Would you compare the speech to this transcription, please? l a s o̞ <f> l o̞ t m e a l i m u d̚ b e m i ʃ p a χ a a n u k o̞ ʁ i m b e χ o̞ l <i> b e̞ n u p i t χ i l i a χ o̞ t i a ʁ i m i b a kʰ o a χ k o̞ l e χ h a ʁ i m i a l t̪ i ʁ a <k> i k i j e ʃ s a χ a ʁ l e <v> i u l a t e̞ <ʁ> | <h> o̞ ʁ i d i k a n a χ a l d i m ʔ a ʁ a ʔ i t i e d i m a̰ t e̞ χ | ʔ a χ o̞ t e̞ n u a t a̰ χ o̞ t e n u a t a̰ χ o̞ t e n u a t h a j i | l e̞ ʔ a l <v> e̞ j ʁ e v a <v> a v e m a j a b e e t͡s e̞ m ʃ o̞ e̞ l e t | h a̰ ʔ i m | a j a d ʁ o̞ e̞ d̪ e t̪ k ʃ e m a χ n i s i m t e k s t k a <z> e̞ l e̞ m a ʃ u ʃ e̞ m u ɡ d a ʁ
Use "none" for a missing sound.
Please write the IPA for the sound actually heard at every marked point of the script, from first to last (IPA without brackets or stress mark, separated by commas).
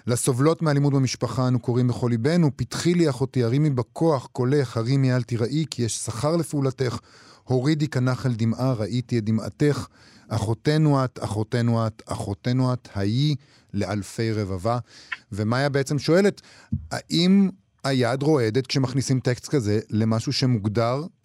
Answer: v, i, ʔ, f, χ, h, f, v, z